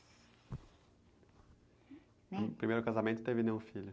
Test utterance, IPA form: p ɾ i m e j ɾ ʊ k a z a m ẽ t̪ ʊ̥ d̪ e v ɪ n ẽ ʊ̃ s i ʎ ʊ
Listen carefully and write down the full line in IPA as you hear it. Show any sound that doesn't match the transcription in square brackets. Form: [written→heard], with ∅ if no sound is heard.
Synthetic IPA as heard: p ɾ i m e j ɾ ʊ k a z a m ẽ t̪ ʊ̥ [d̪→t̪] e v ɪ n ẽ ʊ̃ [s→f] i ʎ ʊ